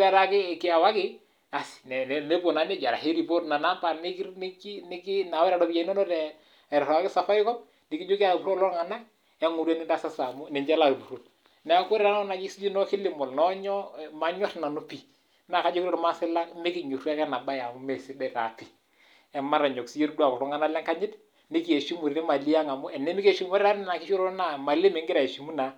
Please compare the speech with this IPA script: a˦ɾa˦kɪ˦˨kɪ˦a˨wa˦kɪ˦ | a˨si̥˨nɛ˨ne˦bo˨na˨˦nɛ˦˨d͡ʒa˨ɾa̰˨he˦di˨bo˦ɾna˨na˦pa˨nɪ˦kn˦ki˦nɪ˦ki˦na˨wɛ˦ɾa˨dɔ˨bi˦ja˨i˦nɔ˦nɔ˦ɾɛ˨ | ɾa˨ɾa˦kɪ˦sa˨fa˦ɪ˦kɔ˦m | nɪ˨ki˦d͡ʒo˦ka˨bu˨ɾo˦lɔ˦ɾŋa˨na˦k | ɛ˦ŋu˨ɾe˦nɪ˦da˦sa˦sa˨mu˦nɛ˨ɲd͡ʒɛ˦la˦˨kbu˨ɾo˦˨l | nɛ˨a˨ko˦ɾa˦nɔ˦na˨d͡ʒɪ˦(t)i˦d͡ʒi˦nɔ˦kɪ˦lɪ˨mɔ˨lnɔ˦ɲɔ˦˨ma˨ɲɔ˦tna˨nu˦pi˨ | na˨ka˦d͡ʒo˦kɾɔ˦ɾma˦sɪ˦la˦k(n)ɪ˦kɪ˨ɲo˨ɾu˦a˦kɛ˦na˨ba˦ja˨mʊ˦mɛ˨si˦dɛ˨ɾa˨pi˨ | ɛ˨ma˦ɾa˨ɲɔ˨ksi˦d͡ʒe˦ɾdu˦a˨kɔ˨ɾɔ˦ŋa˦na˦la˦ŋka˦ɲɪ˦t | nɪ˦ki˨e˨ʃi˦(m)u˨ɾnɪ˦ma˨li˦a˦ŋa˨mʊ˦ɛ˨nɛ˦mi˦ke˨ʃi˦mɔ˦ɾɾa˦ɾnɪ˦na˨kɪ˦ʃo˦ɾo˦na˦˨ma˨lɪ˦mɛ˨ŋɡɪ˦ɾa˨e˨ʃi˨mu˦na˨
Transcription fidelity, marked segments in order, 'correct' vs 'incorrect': incorrect, incorrect, correct

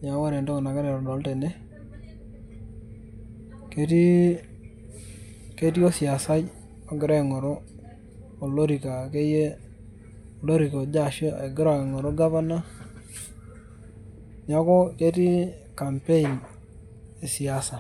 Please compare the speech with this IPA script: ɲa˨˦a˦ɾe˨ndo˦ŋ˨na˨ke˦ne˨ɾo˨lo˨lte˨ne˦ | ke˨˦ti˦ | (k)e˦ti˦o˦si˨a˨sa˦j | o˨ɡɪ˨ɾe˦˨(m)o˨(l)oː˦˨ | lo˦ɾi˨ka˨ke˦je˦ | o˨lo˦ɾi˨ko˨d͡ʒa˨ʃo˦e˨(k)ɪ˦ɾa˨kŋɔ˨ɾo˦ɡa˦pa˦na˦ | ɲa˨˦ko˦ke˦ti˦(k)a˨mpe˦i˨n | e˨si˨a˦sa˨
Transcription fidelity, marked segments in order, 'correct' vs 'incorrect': correct, incorrect, incorrect, incorrect, correct

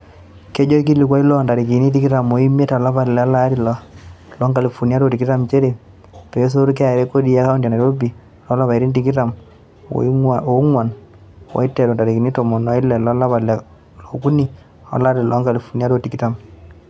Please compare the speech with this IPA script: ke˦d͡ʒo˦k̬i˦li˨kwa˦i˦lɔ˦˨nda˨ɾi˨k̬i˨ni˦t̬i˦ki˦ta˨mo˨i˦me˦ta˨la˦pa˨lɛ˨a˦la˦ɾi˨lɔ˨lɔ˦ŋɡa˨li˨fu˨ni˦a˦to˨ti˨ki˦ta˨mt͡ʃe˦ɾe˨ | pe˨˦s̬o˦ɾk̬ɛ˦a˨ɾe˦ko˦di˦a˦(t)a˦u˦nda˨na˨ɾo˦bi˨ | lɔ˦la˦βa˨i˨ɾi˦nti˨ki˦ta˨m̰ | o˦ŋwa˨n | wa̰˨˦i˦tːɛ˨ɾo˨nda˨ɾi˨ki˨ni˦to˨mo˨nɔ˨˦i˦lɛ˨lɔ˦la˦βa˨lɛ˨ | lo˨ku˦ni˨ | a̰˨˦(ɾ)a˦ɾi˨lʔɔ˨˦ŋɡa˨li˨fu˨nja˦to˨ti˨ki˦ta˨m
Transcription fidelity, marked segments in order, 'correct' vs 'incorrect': incorrect, incorrect

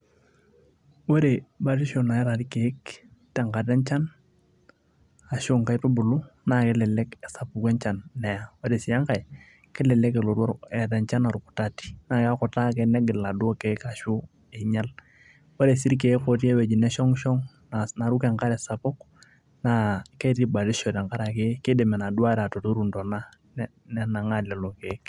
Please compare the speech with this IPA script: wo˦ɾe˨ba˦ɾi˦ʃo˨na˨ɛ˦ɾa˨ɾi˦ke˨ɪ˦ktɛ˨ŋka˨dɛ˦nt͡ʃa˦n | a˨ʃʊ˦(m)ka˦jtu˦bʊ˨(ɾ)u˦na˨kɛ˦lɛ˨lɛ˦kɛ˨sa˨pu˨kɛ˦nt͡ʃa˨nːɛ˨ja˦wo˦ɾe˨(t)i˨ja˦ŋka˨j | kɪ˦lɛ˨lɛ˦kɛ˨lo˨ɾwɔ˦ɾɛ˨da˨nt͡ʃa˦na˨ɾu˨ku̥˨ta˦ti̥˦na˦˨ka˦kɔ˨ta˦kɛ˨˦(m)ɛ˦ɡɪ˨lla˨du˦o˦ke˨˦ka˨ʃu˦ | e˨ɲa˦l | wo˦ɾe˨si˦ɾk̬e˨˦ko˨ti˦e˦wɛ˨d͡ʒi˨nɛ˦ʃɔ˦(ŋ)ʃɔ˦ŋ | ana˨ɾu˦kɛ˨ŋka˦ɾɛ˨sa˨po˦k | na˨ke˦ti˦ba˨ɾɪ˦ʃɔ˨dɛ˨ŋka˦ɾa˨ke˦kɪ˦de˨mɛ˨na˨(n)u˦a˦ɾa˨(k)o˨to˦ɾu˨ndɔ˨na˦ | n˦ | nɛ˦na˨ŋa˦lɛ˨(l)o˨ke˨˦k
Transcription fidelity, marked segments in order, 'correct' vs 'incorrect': incorrect, incorrect, incorrect, incorrect, correct, incorrect, incorrect, correct

